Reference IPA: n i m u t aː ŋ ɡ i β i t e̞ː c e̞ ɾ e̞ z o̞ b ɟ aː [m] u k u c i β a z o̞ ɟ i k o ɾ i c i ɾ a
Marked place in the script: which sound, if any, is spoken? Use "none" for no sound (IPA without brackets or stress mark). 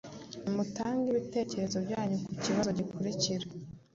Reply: ɲ